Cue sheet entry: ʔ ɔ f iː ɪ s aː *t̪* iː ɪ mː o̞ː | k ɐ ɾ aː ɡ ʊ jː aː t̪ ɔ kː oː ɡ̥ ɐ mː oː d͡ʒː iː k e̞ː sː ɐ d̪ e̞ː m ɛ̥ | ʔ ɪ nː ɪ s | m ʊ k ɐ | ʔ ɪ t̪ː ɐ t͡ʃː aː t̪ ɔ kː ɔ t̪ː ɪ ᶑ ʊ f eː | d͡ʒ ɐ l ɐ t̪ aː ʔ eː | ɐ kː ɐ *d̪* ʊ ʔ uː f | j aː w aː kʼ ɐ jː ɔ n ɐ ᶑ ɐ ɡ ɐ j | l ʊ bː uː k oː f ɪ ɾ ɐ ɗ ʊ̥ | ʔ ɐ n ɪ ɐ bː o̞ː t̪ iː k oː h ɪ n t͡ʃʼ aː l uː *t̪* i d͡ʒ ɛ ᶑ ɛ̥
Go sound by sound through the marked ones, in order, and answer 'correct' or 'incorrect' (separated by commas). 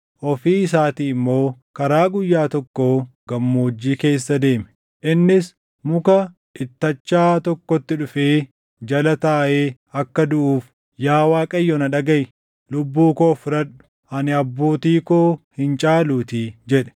correct, correct, correct